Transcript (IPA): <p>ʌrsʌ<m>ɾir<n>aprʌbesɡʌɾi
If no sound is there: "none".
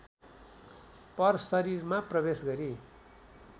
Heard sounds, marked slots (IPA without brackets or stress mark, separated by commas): p, none, m